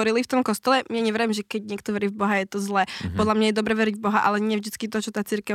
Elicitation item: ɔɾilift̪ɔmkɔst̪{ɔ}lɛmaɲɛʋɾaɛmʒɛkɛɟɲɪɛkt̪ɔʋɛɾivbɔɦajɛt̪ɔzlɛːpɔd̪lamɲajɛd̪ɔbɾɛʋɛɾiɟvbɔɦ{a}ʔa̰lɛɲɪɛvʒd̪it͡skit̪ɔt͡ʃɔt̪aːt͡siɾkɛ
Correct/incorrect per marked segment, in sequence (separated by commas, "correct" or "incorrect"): correct, correct